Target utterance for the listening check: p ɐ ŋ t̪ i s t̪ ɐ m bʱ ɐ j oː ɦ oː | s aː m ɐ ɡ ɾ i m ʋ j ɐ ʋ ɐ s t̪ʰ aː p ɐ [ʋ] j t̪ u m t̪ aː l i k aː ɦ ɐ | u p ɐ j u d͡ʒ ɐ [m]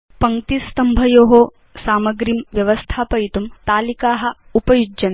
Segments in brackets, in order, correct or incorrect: incorrect: none, incorrect: n

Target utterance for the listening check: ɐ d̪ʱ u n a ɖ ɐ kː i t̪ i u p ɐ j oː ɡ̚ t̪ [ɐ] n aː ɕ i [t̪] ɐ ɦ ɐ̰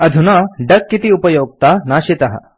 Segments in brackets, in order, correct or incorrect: incorrect: a, correct

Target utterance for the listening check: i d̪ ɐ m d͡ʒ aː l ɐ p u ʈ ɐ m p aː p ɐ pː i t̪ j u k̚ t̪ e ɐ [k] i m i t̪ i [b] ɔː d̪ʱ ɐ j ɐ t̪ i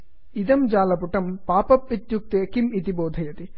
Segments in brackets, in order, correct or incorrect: correct, correct

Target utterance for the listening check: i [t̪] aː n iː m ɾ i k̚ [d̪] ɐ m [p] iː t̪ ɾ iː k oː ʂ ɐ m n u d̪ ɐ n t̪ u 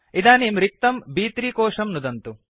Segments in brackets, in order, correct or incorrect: incorrect: d̪, incorrect: t̪, incorrect: b

